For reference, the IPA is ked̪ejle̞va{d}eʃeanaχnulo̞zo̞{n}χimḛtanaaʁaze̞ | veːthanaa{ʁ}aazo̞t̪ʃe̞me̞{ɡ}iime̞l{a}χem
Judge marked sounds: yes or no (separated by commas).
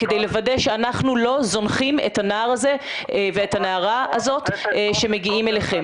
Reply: yes, yes, yes, yes, no